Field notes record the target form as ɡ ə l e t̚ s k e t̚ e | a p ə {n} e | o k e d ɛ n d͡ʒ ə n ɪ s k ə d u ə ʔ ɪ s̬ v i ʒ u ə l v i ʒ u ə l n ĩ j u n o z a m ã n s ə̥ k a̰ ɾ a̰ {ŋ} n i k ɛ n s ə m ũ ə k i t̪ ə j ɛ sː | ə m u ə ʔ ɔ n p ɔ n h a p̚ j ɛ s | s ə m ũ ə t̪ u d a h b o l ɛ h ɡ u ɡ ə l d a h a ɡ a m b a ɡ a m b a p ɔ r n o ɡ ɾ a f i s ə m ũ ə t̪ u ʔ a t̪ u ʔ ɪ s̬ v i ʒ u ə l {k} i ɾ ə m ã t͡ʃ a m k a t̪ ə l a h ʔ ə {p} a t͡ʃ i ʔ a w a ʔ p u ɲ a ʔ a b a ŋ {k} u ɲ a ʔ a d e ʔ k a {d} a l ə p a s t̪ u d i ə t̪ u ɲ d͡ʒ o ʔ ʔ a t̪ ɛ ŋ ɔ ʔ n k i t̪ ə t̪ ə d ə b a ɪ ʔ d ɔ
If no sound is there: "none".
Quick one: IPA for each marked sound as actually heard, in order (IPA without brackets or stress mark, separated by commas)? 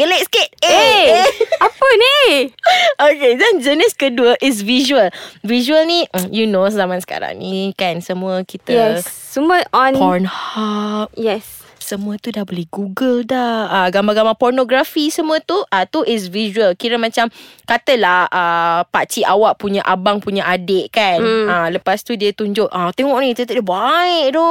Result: n, ŋ, k, p, p, n